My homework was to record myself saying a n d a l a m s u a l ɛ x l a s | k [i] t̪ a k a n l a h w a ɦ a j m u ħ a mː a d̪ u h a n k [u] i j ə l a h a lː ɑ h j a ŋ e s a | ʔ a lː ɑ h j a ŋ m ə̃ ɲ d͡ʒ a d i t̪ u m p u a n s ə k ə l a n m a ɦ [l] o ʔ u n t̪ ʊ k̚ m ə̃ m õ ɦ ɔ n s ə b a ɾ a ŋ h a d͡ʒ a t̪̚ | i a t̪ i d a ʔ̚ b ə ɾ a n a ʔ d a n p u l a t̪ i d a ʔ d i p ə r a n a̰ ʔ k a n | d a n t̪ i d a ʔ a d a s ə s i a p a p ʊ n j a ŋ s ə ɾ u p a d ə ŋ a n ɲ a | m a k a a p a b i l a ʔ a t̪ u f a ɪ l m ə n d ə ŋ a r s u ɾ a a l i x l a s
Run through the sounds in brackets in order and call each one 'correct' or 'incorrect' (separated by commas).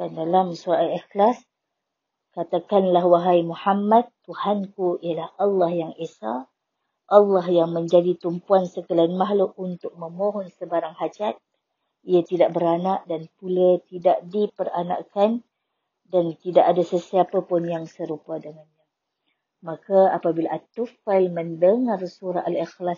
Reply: incorrect, correct, correct